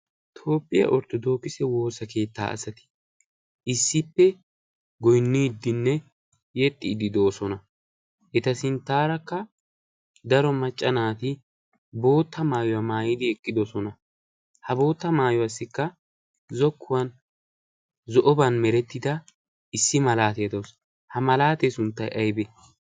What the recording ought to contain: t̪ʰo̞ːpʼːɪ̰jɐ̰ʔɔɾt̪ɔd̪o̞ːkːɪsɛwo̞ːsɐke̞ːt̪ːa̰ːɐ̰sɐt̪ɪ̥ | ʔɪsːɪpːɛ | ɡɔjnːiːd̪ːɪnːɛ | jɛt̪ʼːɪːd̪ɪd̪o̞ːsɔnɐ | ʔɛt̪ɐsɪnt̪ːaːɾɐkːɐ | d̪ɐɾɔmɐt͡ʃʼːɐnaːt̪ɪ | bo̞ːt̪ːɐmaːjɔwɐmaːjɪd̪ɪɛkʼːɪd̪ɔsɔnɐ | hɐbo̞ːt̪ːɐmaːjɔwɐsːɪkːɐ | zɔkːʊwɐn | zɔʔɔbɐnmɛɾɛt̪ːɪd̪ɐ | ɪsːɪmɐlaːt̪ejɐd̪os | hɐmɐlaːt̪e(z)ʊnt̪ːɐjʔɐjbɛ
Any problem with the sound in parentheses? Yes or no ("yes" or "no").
yes